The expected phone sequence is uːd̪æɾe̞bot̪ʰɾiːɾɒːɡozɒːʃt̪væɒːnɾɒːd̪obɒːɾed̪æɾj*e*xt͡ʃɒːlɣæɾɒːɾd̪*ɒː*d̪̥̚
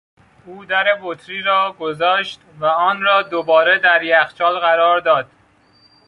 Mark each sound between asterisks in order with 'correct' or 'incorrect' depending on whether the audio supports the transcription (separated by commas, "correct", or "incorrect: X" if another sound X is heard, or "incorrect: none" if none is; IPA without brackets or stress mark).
incorrect: æ, correct